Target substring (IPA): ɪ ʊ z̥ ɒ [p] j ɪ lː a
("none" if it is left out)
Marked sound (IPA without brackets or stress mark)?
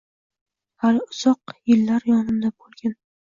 q